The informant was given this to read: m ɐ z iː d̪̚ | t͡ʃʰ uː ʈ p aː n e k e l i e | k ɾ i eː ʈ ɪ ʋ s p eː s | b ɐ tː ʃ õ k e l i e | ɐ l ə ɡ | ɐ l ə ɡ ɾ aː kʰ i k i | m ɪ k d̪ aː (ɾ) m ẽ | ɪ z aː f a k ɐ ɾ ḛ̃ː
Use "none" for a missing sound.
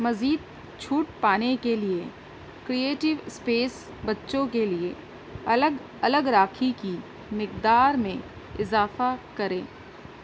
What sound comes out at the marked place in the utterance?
ɾ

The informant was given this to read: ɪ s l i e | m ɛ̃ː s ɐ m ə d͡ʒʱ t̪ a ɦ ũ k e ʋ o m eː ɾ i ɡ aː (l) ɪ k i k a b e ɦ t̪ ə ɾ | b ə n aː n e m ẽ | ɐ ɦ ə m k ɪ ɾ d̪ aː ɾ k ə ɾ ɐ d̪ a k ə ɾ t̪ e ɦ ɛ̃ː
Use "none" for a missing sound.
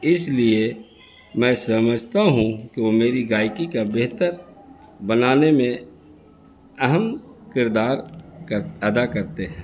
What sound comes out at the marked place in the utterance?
none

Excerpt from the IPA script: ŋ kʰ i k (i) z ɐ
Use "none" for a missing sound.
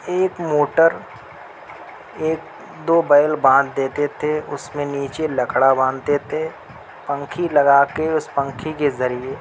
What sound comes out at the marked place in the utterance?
e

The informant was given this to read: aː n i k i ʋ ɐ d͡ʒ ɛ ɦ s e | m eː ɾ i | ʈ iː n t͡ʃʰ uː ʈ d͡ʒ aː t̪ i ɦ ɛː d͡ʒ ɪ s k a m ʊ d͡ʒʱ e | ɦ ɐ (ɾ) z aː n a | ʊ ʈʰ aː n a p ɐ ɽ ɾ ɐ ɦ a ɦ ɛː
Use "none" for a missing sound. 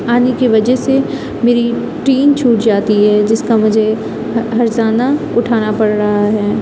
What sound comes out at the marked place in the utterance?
ɾ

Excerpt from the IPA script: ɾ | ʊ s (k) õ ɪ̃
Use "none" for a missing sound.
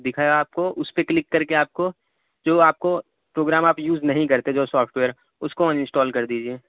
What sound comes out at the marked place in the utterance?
k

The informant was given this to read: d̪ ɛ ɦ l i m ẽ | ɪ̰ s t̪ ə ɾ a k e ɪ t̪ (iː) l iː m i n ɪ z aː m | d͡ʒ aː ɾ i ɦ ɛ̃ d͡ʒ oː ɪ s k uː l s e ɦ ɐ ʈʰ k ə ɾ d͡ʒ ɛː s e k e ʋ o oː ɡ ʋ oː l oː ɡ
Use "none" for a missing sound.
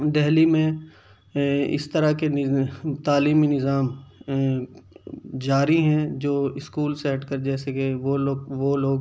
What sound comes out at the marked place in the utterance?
aː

